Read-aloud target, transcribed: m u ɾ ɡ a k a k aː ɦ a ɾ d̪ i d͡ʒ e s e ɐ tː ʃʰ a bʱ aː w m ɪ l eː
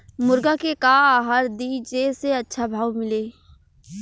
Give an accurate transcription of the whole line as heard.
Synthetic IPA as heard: m ʊ ɾ ɡ a k e k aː ɦ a ɾ d̪ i d͡ʒ e s e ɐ tː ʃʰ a bʱ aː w m ɪ l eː

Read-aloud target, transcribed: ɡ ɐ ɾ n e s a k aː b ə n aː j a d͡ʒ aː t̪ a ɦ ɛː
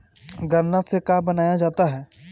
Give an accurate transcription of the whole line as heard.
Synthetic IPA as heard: ɡ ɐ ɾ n a s e k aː b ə n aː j a d͡ʒ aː t̪ a ɦ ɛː

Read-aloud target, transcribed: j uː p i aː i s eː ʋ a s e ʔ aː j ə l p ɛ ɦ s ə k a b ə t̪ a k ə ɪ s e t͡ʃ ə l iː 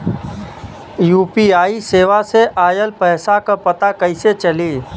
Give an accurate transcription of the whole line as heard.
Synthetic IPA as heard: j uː p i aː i s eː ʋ a s e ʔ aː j ə l p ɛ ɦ s a k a p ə t̪ a k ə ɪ s e t͡ʃ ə l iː

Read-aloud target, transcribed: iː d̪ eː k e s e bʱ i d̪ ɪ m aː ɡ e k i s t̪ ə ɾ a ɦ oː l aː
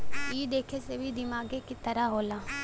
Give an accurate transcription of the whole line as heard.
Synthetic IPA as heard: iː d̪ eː kʰ e s e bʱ i d̪ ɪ m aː ɡ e k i t̪ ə ɾ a ɦ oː l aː

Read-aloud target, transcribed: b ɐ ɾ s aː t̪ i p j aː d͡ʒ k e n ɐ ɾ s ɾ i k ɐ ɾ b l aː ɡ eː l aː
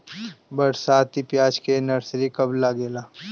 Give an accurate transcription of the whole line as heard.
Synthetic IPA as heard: b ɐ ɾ s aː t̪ i p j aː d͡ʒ k e n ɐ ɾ s ɾ i k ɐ b l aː ɡ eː l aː

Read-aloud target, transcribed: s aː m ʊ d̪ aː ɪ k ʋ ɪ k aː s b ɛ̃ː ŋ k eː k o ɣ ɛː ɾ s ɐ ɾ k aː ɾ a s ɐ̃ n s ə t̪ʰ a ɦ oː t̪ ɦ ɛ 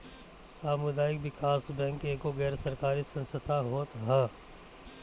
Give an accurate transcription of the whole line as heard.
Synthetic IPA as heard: s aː m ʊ d̪ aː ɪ k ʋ ɪ k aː s b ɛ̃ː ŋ k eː k o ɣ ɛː ɾ s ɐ ɾ k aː ɾ i s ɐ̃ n s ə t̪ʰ a ɦ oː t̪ ɦ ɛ

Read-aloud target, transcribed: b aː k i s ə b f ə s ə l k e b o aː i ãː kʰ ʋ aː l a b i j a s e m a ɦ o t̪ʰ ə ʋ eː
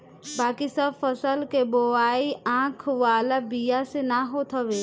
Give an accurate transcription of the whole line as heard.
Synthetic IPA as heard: b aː k i s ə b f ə s ə l k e b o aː i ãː kʰ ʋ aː l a b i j a s e n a ɦ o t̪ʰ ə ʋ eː

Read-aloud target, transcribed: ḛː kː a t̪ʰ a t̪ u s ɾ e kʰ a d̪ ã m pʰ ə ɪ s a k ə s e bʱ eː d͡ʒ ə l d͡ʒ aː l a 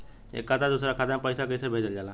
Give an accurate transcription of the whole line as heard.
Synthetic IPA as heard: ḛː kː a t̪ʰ a d̪ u s ɾ a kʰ a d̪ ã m p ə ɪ s a k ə s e bʱ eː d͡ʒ ə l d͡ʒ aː l a

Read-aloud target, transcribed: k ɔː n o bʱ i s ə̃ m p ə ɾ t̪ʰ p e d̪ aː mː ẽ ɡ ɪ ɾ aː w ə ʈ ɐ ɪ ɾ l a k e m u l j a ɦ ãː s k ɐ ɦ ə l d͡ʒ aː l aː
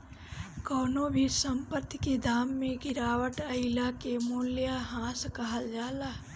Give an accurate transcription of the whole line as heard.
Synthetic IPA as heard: k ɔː n o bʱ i s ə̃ m p ə ɾ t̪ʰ k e d̪ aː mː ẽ ɡ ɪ ɾ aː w ə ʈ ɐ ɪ l a k e m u l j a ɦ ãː s k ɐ ɦ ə l d͡ʒ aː l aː

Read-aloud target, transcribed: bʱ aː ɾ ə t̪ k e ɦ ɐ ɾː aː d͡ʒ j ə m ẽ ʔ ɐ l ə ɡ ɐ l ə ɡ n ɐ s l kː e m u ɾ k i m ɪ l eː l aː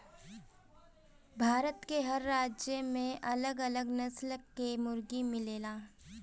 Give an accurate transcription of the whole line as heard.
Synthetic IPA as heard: bʱ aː ɾ ə t̪ k e ɦ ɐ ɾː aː d͡ʒ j ə m ẽ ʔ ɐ l ə ɡ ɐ l ə ɡ n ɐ s l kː e m ʊ ɾ ɡ i m ɪ l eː l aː

